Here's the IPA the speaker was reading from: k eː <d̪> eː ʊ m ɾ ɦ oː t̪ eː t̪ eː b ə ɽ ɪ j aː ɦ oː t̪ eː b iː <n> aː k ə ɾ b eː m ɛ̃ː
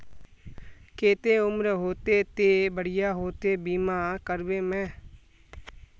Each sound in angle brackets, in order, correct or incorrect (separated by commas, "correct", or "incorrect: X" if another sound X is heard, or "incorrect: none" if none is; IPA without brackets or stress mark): incorrect: t̪, incorrect: m